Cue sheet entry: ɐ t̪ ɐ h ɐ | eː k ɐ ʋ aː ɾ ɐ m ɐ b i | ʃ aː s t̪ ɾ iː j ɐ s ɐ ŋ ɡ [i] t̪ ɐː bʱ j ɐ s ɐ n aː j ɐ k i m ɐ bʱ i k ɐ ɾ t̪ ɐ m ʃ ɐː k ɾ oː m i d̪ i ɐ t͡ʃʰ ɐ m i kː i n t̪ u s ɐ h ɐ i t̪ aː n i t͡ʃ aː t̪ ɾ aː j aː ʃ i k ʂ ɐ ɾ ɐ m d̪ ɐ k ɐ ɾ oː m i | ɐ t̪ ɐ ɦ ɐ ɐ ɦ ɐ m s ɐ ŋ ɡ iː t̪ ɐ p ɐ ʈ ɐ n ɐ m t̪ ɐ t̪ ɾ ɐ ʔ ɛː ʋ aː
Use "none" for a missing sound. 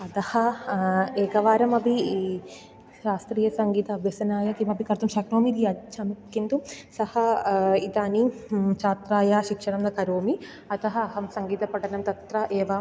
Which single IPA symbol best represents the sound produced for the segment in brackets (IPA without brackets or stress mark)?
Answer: iː